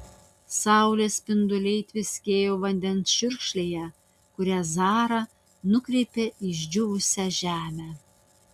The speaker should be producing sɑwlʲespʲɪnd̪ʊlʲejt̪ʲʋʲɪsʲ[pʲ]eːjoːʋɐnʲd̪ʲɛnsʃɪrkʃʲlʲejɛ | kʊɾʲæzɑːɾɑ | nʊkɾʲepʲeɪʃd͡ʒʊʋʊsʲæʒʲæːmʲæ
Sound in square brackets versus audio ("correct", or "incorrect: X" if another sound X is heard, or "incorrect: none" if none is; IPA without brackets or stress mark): incorrect: kʲ